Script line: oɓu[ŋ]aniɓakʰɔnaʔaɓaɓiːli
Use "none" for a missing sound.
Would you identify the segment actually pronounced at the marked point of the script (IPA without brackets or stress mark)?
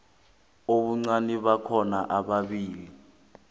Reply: ŋ͡ǀ